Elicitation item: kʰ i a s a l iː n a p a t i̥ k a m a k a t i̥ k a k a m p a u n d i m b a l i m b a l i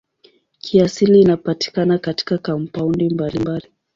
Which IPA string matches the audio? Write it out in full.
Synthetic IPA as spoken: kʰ i a s i l iː n a p a t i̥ k a n a k a t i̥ k a k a m p a u n d i m b a l i m b a l i